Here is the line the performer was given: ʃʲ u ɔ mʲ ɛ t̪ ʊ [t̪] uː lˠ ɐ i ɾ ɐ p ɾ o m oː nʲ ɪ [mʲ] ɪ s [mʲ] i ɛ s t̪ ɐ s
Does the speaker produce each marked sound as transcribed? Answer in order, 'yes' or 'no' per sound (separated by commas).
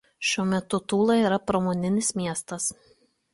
yes, no, yes